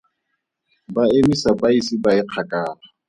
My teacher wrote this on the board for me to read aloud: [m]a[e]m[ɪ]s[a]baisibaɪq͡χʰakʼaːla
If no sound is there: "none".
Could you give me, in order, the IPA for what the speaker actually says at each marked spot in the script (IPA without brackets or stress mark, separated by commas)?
b, e, i, a